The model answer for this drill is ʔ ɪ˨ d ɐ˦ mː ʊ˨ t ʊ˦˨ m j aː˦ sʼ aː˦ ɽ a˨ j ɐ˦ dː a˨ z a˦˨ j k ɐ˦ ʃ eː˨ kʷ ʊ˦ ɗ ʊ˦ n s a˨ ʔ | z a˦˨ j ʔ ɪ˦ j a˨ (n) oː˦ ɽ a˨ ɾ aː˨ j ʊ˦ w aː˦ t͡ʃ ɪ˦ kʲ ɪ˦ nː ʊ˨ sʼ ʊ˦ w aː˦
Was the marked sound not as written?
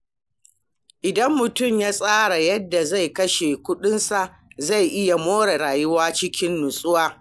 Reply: yes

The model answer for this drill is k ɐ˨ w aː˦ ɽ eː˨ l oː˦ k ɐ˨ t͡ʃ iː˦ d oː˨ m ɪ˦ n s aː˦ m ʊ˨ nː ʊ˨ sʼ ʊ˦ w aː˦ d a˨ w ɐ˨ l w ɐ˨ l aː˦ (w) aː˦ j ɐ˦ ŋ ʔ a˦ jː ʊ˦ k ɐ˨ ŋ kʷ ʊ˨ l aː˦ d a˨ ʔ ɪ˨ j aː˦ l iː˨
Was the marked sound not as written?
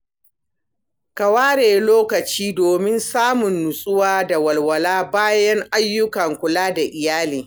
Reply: yes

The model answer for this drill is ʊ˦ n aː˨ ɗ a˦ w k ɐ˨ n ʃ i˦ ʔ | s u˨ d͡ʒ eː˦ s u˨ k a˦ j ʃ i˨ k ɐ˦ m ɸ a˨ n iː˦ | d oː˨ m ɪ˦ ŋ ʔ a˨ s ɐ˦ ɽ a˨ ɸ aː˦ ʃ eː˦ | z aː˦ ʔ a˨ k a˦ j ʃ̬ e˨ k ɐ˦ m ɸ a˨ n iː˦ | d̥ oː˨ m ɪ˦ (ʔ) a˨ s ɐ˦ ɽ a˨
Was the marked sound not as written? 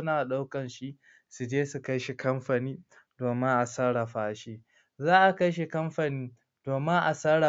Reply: no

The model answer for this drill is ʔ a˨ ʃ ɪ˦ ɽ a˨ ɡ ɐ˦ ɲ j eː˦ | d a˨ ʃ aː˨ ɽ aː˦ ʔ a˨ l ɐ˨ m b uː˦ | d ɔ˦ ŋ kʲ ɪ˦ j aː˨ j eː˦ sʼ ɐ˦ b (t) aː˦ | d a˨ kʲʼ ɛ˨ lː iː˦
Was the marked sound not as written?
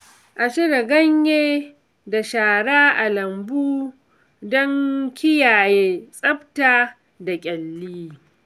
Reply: no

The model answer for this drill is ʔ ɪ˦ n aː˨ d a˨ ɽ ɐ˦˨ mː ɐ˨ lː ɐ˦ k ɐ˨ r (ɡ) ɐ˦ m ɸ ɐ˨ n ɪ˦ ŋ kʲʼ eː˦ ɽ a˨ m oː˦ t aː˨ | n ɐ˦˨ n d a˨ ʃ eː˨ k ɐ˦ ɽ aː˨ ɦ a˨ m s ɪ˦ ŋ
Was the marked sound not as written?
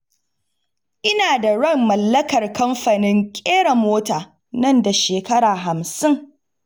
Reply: yes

